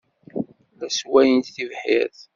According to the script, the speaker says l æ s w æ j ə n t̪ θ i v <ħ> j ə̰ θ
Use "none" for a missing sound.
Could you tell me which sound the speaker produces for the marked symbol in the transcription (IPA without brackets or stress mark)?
ħ